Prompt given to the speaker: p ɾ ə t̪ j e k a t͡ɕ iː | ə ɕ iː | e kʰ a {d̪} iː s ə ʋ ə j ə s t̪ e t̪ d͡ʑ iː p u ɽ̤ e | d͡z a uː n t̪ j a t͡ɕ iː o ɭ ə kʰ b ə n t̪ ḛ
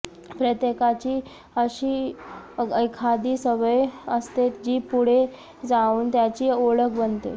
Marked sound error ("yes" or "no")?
no